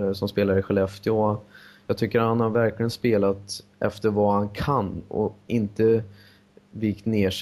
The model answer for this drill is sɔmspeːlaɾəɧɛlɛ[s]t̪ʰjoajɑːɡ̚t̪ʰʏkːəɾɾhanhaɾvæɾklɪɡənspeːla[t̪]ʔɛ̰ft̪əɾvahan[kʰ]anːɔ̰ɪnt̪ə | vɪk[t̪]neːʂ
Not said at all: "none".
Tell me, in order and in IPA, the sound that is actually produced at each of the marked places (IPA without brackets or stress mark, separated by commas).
f, t̪, kʰ, t̪